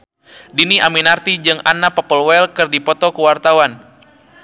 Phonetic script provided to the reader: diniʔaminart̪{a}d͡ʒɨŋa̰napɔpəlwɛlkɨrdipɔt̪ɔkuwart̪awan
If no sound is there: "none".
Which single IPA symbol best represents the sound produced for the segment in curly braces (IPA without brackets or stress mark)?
i